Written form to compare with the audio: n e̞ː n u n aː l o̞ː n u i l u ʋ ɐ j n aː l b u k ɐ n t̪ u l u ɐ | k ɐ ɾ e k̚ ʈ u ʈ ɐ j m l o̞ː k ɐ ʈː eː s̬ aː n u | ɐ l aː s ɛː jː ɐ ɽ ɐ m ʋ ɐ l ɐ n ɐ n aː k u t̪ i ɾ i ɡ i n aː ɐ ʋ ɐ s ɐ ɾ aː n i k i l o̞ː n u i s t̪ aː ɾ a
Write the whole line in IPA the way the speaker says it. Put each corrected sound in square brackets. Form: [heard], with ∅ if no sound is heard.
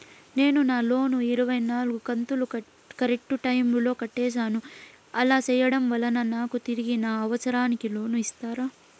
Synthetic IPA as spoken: n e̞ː n u n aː l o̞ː n u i [ɾ] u ʋ ɐ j n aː l [ɡ] u k ɐ n t̪ u l u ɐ | k ɐ ɾ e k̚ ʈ u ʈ ɐ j m l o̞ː k ɐ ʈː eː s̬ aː n u | ɐ l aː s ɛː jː ɐ ɽ ɐ m ʋ ɐ l ɐ n ɐ n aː k u t̪ i ɾ i ɡ i n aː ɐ ʋ ɐ s ɐ ɾ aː n i k i l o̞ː n u i s t̪ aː ɾ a